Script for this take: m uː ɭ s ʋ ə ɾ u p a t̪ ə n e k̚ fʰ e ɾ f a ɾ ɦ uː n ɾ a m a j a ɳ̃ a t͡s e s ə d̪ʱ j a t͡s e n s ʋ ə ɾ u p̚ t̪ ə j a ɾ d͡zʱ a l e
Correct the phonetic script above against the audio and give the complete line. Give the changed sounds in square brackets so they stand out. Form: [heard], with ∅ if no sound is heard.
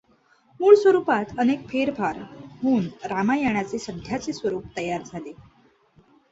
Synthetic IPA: m uː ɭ s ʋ ə ɾ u p a t̪ ə n e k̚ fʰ e ɾ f a ɾ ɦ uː n ɾ a m a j a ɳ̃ a t͡s e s ə d̪ʱ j a t͡s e [∅] s ʋ ə ɾ [uː] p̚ t̪ ə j a ɾ d͡zʱ a l e